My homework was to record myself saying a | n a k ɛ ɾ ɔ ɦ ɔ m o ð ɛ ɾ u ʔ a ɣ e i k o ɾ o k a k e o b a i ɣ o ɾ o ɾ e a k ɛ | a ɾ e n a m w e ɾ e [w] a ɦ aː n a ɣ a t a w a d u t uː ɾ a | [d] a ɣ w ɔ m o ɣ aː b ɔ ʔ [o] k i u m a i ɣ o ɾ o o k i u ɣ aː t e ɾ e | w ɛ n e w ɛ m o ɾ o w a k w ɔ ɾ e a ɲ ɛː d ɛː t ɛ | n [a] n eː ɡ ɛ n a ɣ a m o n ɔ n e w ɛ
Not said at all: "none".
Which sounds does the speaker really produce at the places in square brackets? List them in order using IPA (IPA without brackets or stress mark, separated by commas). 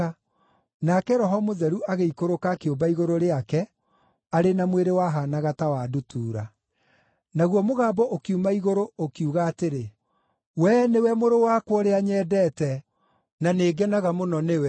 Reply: w, n, o, a